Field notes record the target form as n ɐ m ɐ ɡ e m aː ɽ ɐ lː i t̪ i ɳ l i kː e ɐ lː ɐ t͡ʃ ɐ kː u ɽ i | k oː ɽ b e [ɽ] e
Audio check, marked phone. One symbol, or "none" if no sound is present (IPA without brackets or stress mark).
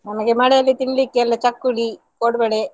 ɽ